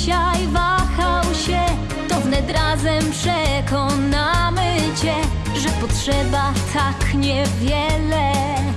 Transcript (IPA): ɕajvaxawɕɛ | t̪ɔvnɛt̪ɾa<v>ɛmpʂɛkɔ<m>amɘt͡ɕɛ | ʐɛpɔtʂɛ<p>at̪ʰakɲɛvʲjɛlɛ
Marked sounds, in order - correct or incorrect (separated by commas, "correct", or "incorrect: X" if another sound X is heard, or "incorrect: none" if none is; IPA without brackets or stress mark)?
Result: incorrect: z, incorrect: n, incorrect: b